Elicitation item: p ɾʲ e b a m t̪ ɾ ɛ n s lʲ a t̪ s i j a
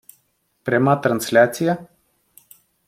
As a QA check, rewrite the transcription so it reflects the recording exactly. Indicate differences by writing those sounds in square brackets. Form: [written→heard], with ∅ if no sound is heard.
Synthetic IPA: p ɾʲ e [b→m] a [m→∅] t̪ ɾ [ɛ→a] n s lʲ a t̪ s i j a